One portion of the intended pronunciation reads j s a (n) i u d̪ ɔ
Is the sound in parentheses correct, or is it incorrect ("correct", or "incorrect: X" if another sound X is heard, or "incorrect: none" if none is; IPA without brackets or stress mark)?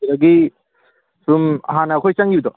incorrect: ŋ